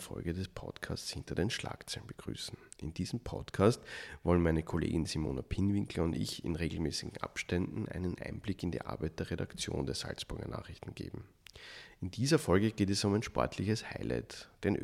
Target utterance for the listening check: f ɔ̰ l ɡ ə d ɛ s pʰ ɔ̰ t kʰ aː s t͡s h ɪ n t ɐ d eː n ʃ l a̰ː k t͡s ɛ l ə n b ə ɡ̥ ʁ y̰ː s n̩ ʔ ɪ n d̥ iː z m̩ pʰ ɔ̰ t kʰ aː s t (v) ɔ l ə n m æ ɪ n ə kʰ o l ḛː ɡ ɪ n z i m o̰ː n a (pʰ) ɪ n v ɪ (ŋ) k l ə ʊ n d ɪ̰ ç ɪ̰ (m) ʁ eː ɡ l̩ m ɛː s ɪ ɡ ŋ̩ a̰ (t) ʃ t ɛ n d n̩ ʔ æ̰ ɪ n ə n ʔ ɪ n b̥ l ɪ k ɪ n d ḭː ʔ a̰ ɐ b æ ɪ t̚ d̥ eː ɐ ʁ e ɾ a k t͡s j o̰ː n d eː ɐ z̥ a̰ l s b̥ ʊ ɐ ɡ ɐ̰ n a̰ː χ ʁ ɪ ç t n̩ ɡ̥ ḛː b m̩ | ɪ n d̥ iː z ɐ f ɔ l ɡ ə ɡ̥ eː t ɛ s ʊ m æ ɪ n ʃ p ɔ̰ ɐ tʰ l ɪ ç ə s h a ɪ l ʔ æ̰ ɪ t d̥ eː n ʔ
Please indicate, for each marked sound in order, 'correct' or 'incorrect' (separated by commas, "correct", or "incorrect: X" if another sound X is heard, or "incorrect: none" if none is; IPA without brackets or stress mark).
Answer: correct, correct, correct, incorrect: n, incorrect: p